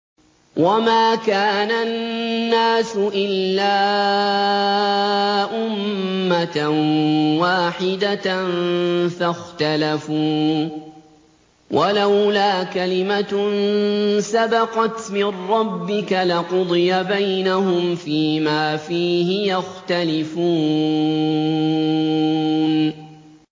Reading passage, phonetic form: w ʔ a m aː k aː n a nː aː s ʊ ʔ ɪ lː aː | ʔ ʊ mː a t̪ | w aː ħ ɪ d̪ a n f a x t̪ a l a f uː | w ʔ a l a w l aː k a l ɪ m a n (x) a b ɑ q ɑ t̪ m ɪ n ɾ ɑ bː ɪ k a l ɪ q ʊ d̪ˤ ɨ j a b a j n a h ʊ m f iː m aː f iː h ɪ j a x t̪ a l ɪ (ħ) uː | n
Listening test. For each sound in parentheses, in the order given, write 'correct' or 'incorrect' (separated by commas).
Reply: incorrect, incorrect